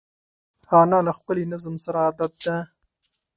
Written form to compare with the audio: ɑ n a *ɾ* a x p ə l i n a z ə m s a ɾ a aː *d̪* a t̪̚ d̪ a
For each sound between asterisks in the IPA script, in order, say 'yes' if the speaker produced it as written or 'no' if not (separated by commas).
no, yes